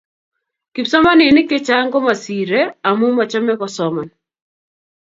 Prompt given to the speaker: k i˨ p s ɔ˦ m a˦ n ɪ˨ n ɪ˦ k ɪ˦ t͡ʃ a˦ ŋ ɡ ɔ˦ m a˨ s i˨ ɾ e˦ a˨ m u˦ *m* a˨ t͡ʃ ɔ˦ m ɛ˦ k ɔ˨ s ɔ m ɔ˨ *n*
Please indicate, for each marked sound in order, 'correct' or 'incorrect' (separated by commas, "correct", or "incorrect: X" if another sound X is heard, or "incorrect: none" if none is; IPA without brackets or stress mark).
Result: correct, correct